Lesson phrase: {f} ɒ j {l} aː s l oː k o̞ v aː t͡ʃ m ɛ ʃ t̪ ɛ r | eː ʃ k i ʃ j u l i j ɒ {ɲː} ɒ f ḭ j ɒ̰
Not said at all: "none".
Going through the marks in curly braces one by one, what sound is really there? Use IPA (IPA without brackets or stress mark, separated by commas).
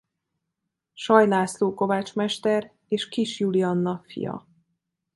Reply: ʃ, l, nː